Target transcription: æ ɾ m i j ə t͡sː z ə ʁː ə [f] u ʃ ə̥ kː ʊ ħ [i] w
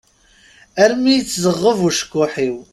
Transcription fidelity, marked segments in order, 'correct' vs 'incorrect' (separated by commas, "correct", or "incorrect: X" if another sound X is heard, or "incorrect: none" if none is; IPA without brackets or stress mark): incorrect: v, correct